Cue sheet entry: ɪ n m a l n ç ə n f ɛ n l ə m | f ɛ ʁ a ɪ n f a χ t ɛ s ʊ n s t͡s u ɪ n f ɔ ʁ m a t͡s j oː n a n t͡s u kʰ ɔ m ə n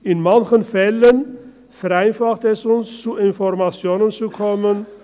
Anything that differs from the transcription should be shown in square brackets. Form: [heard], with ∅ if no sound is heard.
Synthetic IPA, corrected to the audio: ɪ n m a [∅] n ç ə n f ɛ [∅] l ə [n] | f ɛ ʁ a ɪ n f a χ t ɛ s ʊ n s t͡s u ɪ n f ɔ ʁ m a t͡s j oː n [ə] n t͡s u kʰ ɔ m ə n